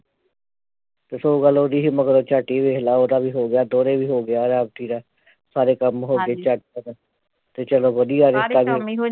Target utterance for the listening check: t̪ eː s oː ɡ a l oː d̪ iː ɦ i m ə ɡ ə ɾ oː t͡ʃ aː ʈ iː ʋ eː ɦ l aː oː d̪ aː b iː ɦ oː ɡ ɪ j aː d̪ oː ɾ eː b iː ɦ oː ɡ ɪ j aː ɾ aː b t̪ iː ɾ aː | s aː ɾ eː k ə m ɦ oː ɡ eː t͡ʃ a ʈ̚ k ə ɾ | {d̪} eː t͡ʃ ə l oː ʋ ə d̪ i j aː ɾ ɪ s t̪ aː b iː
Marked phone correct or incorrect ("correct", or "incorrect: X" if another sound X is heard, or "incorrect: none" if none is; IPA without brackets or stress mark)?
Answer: incorrect: t̪